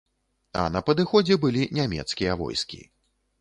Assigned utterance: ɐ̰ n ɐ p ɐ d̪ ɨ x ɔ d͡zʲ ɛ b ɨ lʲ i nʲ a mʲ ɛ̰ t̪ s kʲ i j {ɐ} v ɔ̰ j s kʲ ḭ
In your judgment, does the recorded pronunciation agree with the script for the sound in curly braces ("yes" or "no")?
yes